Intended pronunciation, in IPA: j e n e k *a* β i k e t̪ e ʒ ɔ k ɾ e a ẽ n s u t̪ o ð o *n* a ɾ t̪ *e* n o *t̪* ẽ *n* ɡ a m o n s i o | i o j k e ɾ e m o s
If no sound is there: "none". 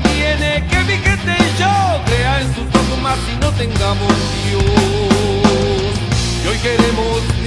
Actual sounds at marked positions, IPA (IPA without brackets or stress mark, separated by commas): e, m, i, t̪, ŋ